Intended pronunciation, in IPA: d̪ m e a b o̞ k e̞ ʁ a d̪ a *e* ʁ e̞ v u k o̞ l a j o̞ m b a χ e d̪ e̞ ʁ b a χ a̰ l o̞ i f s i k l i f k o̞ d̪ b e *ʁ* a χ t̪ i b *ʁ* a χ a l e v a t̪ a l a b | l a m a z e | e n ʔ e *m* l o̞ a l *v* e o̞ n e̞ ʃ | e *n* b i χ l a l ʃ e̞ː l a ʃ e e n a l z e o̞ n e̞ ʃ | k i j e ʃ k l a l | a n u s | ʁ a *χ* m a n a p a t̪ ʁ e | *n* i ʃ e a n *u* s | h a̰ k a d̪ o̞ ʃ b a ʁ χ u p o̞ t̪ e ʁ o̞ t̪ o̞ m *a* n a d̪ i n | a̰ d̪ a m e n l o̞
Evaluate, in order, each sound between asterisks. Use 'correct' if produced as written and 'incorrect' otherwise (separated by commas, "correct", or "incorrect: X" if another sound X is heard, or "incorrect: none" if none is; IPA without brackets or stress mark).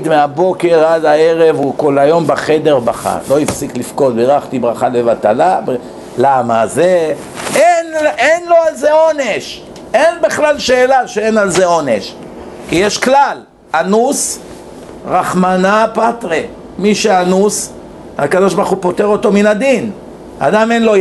correct, correct, correct, incorrect: n, incorrect: z, correct, correct, incorrect: m, correct, incorrect: i